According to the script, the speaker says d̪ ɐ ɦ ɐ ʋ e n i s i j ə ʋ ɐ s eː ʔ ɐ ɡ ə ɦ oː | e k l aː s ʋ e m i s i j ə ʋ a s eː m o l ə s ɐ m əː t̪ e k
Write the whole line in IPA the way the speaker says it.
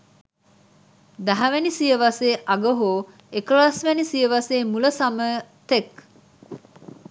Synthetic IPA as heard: d̪ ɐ ɦ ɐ ʋ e n i s i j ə ʋ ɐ s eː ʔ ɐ ɡ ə ɦ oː | e k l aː s ʋ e n i s i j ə ʋ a s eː m u l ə s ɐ m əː t̪ e k